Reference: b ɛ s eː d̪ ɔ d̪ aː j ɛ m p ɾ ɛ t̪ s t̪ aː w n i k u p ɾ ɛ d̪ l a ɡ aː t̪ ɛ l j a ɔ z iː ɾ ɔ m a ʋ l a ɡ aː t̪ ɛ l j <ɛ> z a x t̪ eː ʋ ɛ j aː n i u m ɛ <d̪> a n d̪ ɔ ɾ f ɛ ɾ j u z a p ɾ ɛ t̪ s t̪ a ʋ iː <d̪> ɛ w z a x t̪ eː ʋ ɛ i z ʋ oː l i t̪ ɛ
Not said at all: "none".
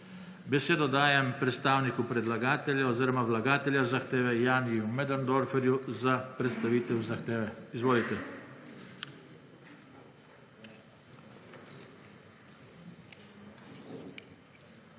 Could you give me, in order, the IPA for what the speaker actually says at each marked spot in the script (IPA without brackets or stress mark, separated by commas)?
a, d̪, t̪